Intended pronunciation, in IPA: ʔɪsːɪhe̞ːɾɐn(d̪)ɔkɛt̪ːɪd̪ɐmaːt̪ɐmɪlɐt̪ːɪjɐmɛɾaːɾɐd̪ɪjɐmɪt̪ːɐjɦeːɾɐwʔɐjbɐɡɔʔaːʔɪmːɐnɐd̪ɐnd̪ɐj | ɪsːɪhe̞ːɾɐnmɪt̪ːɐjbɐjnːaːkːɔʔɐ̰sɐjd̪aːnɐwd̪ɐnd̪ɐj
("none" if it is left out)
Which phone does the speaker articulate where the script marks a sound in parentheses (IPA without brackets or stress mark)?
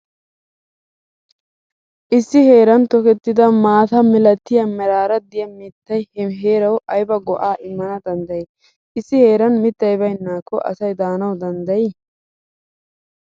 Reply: t̪